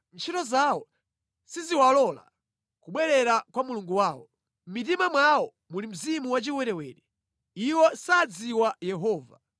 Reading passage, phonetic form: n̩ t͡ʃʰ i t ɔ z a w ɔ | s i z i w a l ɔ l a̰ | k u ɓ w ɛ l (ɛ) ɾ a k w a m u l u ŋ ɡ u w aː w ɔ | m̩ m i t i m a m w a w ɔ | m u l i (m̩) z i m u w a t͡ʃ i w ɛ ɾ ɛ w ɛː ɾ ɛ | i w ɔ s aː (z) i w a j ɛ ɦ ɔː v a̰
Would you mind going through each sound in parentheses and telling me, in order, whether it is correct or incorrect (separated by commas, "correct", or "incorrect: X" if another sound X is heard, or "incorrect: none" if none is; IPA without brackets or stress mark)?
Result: correct, correct, incorrect: d͡z